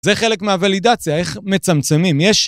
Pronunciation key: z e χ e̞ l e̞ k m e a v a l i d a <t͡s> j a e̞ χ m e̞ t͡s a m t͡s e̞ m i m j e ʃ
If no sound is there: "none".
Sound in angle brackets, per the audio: t͡s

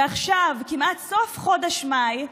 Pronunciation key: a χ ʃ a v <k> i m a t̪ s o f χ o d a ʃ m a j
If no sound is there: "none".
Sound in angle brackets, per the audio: k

